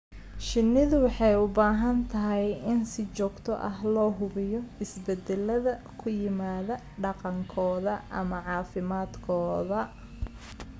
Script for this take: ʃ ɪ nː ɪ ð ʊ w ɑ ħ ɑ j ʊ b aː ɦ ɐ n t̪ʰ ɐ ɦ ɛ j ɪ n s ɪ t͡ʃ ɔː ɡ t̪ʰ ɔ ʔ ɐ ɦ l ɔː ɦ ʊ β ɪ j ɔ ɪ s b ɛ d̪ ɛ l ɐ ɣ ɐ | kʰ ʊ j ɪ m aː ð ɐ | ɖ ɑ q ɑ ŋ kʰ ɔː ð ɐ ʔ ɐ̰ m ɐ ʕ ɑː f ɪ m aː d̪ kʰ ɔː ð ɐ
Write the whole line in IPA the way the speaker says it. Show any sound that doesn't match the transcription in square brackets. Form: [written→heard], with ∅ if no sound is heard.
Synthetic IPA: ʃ ɪ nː ɪ ð ʊ w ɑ ħ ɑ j ʊ b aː ɦ ɐ n t̪ʰ ɐ ɦ ɛ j ɪ n s ɪ t͡ʃ ɔː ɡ t̪ʰ ɔ ʔ ɐ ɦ l ɔː ɦ ʊ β ɪ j ɔ ɪ s b ɛ d̪ ɛ l ɐ [ɣ→ð] ɐ | kʰ ʊ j ɪ m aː ð ɐ | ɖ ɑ q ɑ ŋ kʰ ɔː ð ɐ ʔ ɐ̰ m ɐ ʕ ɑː f ɪ m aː d̪ kʰ ɔː ð ɐ